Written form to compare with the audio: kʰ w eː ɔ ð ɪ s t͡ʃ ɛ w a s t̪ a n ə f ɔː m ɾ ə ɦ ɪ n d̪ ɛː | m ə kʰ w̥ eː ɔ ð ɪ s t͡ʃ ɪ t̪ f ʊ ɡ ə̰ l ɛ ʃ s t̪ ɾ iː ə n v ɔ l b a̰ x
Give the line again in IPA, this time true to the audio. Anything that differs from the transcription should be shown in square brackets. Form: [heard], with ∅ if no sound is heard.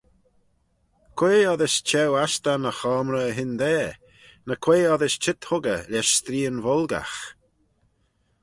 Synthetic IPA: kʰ w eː ɔ ð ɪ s t͡ʃ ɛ w a s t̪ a n ə [x] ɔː m ɾ ə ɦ ɪ n d̪ ɛː | [n] ə kʰ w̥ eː ɔ ð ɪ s t͡ʃ ɪ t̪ [h] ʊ ɡ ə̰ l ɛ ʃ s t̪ ɾ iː ə n v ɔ l [ɡ] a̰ x

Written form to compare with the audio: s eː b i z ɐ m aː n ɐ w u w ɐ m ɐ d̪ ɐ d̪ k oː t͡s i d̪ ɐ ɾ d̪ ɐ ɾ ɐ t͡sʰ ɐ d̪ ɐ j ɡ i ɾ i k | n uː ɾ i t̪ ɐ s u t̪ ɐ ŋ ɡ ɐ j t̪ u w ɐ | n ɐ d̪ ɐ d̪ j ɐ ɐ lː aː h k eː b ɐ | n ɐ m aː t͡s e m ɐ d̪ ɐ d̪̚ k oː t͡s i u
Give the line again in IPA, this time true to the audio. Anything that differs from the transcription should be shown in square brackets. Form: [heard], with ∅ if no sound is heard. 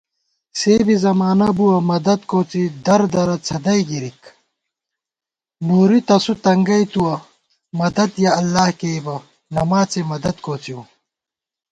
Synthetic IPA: s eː b i z ɐ m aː n ɐ [b] u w ɐ m ɐ d̪ ɐ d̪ k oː t͡s i d̪ ɐ ɾ d̪ ɐ ɾ ɐ t͡sʰ ɐ d̪ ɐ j ɡ i ɾ i k | n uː ɾ i t̪ ɐ s u t̪ ɐ ŋ ɡ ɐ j t̪ u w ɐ | [m] ɐ d̪ ɐ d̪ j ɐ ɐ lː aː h k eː b ɐ | n ɐ m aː t͡s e m ɐ d̪ ɐ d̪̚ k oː t͡s i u

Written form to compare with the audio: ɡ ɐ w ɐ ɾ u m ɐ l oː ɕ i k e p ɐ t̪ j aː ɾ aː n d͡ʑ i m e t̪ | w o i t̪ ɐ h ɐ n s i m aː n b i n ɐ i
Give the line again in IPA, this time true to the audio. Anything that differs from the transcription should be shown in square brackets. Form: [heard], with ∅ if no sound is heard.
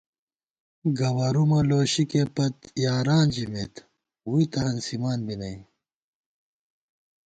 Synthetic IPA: ɡ ɐ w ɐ ɾ u m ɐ l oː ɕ i k e p ɐ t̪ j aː ɾ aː n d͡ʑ i m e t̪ | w [u] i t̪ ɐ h ɐ n s i m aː n b i n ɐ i

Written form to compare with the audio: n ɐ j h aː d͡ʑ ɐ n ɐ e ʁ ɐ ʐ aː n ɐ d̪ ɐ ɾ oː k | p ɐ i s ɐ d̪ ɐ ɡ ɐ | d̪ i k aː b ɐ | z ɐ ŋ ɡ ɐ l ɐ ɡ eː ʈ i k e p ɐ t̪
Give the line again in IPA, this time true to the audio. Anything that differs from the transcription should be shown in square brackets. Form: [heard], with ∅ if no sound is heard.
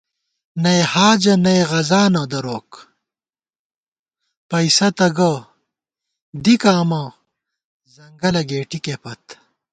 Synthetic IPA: n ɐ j h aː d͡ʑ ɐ n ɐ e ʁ ɐ [z] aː n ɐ d̪ ɐ ɾ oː k | p ɐ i s ɐ [t̪] ɐ ɡ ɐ | d̪ i k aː [m] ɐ | z ɐ ŋ ɡ ɐ l ɐ ɡ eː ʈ i k e p ɐ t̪

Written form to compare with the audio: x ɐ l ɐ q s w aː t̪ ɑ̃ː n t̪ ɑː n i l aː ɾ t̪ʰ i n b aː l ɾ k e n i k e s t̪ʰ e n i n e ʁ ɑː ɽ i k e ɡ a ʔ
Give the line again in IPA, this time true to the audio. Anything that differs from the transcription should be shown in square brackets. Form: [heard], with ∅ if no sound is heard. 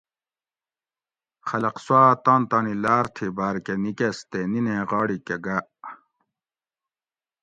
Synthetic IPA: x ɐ l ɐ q s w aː t̪ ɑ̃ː n t̪ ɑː n i l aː ɾ t̪ʰ i [∅] b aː [∅] ɾ k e n i k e s [t̪] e n i n e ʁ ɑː ɽ i k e ɡ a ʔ

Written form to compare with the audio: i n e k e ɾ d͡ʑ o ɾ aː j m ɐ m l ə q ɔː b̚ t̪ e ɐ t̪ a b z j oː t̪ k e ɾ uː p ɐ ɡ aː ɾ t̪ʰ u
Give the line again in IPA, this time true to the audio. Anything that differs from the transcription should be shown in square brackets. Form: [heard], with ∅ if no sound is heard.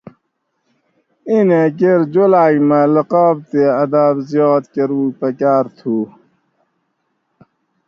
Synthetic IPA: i n e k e ɾ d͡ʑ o [l] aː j m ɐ [∅] l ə q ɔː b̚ t̪ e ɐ [d̪] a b z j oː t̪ k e ɾ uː p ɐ [k] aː ɾ t̪ʰ u

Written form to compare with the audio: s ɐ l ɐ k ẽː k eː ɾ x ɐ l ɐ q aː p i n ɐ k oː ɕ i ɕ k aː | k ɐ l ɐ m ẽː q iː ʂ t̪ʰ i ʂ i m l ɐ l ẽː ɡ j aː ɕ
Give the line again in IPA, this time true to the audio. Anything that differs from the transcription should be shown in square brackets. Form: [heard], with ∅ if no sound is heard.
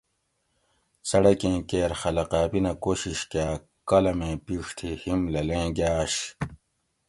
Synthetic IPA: s ɐ [ɽ] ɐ k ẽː k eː ɾ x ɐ l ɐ q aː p i n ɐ k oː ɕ i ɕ k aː | k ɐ l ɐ m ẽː [p] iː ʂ t̪ʰ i [h] i m l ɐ l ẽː ɡ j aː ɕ

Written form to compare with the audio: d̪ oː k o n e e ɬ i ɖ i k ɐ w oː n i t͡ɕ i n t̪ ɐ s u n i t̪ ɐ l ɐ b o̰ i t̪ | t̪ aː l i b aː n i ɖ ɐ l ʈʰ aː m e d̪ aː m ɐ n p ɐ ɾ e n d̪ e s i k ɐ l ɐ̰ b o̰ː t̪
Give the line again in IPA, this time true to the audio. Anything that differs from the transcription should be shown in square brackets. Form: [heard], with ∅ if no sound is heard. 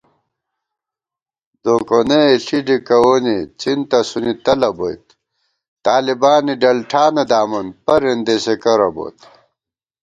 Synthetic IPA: d̪ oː k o n e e ɬ i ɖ i k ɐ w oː n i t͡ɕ i n t̪ ɐ s u n i t̪ ɐ l ɐ b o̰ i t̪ | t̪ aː l i b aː n i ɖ ɐ l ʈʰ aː [n] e d̪ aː m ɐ n p ɐ ɾ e n d̪ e s [e] k ɐ [ɾ] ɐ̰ b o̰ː t̪

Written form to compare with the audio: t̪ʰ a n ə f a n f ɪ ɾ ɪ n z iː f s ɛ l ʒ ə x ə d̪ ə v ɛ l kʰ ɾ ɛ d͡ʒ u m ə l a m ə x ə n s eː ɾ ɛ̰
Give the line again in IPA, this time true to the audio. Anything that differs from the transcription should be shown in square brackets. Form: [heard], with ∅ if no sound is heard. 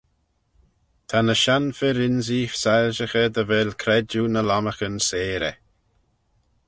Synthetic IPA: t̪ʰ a n ə [ʃ] a n f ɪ ɾ ɪ n z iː f s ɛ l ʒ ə x ə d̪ ə v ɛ l kʰ ɾ ɛ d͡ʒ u [n] ə l a m ə x ə n s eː ɾ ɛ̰

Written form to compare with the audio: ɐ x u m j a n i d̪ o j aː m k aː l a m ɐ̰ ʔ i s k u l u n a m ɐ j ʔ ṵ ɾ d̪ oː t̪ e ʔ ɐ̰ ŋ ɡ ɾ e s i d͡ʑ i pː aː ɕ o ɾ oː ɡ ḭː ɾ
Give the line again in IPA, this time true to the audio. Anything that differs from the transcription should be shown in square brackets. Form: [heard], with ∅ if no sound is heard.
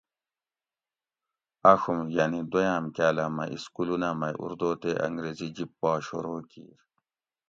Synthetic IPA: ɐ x u m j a n i d̪ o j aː m k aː l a m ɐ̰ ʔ i s k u l u n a m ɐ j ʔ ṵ ɾ d̪ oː t̪ e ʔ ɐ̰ ŋ ɡ ɾ e [z] i d͡ʑ i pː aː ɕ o ɾ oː [k] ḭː ɾ

